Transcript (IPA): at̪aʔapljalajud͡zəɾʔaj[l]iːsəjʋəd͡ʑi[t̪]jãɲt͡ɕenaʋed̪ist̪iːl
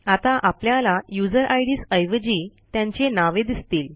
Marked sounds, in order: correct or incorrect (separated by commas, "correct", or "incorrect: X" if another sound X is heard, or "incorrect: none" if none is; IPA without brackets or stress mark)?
incorrect: ɽ, correct